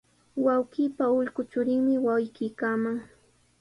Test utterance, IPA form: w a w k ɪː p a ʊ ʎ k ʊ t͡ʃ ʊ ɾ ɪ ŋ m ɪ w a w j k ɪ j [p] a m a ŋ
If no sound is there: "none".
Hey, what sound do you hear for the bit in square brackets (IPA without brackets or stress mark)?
k